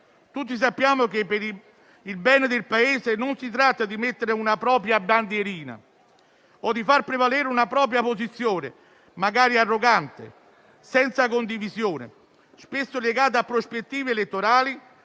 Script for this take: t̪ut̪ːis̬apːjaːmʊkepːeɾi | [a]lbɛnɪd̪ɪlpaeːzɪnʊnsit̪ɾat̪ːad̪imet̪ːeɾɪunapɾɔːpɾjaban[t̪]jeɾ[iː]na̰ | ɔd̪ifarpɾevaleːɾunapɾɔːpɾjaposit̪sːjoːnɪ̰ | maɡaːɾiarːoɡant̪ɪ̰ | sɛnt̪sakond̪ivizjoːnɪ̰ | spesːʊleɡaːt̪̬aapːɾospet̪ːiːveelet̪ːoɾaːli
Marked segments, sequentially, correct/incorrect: incorrect, incorrect, correct

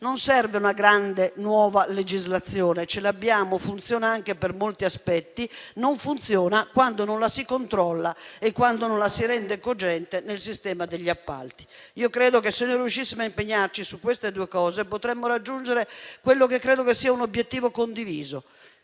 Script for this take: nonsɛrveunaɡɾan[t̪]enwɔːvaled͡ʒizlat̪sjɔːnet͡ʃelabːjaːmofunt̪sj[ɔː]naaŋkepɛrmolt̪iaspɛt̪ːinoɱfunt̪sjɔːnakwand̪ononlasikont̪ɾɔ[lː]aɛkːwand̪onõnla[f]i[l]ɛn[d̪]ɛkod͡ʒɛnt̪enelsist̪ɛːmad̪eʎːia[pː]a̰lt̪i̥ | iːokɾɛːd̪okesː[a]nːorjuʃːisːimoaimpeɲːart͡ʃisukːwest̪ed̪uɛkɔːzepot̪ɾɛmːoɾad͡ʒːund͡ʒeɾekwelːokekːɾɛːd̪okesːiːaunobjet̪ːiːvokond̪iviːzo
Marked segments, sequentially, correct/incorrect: incorrect, correct, correct, incorrect, incorrect, correct, correct, incorrect

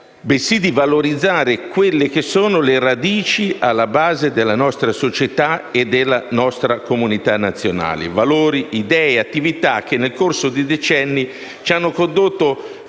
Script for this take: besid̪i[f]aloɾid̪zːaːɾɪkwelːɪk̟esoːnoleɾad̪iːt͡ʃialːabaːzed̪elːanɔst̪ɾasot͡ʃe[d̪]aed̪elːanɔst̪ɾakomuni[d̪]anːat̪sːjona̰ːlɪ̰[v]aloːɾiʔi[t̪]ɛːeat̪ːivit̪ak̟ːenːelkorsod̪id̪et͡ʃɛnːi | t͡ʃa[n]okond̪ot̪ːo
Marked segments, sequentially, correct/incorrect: incorrect, incorrect, incorrect, correct, incorrect, incorrect

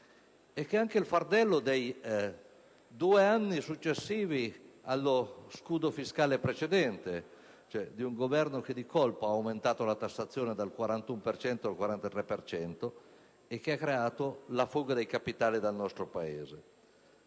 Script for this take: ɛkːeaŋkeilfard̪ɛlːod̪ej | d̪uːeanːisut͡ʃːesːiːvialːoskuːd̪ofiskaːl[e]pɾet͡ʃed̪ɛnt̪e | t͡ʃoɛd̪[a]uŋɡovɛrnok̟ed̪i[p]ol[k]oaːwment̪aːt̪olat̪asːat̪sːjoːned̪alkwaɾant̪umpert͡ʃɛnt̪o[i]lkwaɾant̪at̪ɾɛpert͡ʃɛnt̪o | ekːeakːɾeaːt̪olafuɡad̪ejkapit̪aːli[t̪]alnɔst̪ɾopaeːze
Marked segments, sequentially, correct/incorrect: correct, incorrect, incorrect, incorrect, incorrect, incorrect

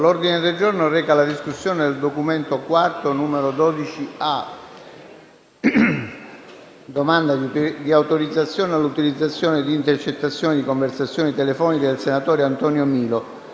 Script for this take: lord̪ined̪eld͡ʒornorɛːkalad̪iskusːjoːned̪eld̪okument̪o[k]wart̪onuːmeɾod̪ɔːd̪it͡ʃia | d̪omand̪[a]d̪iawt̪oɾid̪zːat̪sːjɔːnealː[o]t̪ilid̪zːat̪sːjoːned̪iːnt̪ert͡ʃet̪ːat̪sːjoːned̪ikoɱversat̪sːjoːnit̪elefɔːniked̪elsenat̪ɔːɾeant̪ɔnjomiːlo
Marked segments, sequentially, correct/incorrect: correct, correct, incorrect

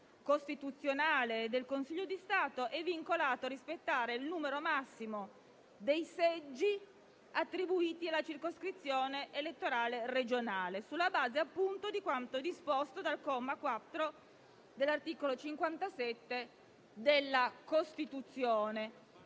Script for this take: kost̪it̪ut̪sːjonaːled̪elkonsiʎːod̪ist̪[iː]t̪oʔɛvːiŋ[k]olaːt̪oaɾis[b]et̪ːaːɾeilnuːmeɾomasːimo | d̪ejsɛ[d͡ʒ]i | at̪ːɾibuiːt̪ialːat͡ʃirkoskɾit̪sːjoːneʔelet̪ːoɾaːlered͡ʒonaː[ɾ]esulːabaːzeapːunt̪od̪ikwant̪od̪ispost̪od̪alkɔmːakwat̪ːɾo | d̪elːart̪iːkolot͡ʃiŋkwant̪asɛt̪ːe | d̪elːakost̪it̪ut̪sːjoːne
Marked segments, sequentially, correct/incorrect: incorrect, correct, incorrect, incorrect, incorrect

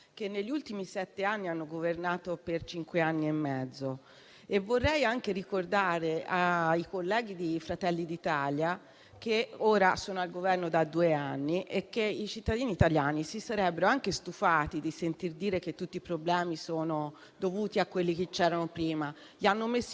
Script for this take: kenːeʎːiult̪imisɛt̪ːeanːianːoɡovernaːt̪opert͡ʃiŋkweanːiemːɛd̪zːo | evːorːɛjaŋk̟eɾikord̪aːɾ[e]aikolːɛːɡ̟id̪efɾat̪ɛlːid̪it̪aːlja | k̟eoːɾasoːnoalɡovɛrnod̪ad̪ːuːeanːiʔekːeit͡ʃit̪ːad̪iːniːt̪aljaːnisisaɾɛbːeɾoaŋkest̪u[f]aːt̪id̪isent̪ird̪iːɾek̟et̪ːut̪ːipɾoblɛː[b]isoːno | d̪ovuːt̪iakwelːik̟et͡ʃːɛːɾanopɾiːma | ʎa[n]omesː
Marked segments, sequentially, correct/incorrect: correct, correct, incorrect, incorrect

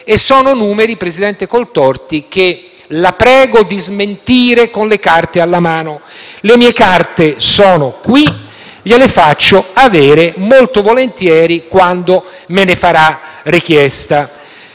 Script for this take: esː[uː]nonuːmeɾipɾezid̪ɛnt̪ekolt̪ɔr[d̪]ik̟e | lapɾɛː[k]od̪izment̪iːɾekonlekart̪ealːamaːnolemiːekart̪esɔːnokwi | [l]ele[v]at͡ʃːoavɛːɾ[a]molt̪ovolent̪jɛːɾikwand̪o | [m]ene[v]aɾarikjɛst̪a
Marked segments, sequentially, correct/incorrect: incorrect, incorrect, incorrect, incorrect, incorrect, incorrect, correct, incorrect

